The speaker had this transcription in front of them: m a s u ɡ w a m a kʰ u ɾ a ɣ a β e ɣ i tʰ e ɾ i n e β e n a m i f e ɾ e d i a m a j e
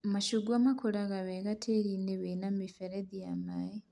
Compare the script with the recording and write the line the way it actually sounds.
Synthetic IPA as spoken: m a ʃ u ɡ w a m a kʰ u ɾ a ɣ a β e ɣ a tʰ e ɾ i n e β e n a m i f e ɾ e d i a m a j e